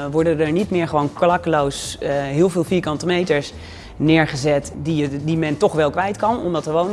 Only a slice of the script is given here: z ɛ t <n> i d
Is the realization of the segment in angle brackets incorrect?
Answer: yes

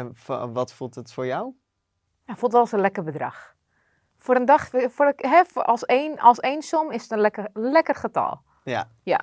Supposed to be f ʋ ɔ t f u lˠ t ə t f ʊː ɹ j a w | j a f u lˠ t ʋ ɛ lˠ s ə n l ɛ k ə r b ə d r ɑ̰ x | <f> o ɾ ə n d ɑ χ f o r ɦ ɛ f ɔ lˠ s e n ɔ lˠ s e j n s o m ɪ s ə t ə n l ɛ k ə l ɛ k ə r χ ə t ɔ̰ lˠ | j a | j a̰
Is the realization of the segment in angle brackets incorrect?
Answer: no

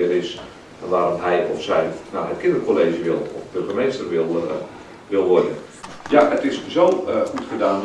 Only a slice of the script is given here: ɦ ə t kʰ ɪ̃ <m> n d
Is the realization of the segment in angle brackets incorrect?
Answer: yes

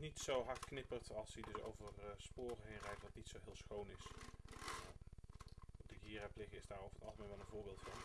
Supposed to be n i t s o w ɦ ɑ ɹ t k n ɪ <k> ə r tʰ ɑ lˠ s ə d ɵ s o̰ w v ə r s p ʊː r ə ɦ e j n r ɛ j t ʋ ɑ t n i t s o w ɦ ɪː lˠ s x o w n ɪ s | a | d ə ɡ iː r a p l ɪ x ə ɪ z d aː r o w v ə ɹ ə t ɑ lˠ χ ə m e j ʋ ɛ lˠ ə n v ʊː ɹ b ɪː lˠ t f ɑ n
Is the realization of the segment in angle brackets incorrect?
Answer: yes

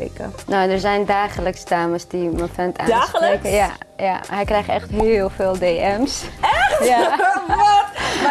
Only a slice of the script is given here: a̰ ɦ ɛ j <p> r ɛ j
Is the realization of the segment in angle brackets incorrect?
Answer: yes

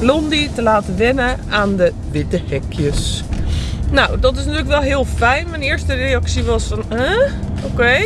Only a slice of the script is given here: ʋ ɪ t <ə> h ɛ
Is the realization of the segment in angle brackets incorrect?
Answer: no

